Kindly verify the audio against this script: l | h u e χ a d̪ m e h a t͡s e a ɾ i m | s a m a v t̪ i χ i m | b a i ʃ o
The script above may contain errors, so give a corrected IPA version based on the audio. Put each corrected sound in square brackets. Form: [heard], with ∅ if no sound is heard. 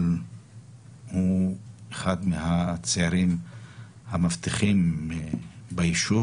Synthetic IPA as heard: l | h u e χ a d̪ m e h a t͡s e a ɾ i m | [h] a m a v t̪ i χ i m | b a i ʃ [u]